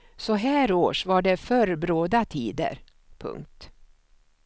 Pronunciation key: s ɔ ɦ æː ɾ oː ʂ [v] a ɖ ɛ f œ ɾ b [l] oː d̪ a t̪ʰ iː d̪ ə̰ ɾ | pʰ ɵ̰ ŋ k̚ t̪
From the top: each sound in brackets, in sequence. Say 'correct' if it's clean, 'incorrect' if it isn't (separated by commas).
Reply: correct, incorrect